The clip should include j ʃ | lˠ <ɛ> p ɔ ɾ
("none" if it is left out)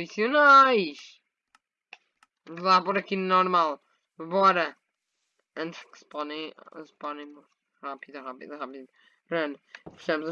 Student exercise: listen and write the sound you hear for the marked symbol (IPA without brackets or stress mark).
a